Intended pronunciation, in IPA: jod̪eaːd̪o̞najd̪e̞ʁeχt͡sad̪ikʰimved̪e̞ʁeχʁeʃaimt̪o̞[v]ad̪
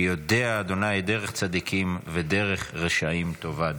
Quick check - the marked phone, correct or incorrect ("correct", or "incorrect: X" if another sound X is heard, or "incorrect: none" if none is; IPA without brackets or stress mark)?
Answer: correct